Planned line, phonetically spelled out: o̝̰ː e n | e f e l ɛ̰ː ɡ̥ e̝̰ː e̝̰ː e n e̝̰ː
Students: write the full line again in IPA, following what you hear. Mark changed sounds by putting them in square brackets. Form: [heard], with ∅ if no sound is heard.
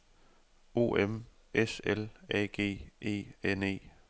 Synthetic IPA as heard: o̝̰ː e [m] | e [s] e l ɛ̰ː ɡ̥ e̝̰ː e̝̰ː e n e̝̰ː